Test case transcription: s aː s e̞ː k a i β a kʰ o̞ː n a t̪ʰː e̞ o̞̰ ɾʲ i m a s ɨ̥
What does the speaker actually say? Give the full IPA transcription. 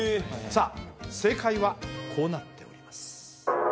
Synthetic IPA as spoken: s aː s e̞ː k a i β a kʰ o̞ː n a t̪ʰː e̞ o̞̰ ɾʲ i m a s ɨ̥